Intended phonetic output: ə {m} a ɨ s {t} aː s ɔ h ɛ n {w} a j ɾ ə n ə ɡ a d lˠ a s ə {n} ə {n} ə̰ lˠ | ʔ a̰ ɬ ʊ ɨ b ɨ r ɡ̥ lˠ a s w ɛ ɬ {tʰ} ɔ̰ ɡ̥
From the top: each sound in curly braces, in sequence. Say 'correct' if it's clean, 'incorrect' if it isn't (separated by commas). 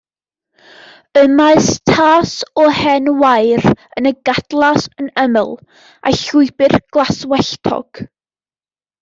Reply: correct, incorrect, correct, correct, incorrect, correct